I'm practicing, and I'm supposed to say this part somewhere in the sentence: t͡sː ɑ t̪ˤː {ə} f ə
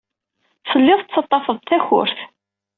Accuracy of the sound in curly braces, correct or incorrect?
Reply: incorrect